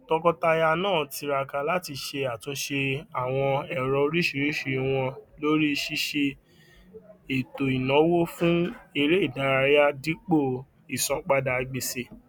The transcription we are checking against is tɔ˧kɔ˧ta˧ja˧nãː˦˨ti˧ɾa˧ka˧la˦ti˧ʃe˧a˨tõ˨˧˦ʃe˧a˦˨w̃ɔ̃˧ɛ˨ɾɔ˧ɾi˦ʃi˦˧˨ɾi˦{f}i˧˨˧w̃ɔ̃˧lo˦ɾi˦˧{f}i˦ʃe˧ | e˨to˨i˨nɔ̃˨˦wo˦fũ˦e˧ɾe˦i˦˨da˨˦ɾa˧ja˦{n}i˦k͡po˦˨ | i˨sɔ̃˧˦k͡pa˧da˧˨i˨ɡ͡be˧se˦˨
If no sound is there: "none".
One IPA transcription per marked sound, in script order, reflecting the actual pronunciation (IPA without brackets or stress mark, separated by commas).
ʃ, ʃ, d